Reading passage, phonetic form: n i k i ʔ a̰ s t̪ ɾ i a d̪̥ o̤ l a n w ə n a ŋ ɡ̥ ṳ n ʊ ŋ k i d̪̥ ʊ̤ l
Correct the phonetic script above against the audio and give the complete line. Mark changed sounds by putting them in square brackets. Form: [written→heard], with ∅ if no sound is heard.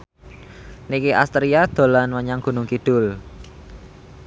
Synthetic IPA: n i k i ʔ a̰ s t̪ ɾ i a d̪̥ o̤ l a n w ə [n→ɲ] a ŋ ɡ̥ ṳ n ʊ ŋ k i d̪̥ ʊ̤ l